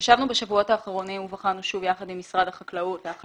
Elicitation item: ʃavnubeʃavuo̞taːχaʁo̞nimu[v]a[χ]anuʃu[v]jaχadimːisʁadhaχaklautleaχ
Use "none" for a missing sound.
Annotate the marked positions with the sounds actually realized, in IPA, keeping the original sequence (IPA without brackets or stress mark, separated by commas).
v, χ, v